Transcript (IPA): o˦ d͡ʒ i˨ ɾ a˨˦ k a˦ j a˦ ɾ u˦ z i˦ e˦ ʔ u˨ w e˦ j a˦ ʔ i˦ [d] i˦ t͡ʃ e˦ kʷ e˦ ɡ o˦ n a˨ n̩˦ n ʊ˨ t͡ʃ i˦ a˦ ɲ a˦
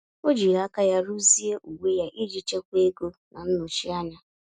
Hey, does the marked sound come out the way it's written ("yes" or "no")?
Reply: no